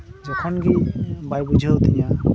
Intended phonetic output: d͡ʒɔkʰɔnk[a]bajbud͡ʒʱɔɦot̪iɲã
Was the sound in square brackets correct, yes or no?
no